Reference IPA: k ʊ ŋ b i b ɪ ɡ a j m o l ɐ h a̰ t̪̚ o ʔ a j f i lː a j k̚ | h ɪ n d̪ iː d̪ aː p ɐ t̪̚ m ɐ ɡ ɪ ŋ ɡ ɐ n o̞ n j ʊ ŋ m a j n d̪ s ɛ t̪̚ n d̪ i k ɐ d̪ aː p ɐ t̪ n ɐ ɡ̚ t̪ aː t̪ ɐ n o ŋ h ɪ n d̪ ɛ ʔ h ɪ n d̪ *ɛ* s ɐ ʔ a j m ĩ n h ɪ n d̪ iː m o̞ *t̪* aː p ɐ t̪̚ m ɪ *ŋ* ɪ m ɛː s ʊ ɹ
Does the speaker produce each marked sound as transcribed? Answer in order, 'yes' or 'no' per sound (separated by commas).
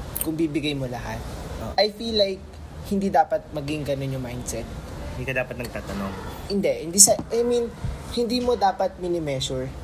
no, no, no